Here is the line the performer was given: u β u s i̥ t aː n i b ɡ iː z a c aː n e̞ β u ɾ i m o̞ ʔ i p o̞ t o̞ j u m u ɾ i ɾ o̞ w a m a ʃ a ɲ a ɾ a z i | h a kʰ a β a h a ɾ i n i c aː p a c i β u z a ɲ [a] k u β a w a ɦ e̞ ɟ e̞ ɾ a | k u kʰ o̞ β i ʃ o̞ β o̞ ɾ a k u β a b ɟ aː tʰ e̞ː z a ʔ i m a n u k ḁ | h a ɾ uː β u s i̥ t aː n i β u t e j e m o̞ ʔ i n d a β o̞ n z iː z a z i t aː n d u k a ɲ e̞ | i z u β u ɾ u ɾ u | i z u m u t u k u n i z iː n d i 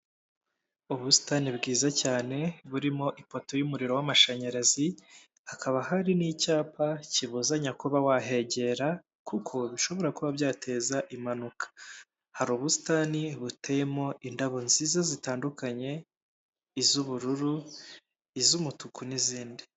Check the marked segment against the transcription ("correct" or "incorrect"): correct